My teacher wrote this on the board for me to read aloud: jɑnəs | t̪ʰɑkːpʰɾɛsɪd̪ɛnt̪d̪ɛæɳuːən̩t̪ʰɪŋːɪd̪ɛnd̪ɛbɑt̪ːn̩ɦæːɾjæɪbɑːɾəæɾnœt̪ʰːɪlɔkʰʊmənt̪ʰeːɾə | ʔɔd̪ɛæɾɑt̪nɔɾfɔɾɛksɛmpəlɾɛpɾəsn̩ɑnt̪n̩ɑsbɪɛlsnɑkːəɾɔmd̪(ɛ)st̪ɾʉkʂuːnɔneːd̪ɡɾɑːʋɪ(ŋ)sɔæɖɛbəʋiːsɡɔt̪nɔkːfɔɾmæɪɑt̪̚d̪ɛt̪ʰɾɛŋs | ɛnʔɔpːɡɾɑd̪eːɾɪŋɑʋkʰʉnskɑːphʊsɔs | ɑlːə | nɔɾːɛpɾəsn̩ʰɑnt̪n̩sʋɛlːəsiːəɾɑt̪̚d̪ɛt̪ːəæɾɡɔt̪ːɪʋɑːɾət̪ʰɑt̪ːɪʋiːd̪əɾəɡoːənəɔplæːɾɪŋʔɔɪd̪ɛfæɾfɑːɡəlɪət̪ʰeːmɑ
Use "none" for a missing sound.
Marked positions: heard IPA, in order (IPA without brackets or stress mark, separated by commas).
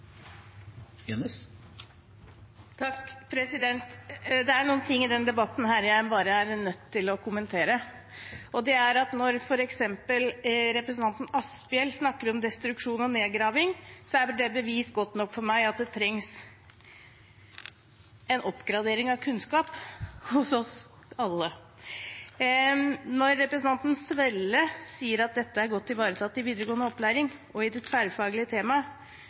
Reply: ɛ, ŋ